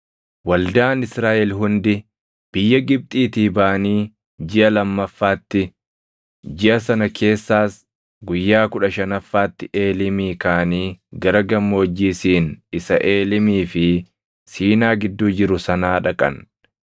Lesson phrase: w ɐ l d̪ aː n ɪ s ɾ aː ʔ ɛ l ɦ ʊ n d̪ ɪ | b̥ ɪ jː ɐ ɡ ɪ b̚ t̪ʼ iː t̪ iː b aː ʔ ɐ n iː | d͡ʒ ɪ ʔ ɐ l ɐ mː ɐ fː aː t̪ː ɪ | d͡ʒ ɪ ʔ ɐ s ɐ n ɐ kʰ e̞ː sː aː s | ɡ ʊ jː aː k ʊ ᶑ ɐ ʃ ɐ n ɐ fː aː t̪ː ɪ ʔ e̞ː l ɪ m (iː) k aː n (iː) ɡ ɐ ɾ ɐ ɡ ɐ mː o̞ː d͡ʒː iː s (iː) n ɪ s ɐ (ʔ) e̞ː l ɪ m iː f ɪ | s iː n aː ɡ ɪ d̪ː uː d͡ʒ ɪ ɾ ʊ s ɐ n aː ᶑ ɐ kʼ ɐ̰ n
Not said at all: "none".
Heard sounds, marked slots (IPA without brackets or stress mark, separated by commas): iː, iː, iː, ʔ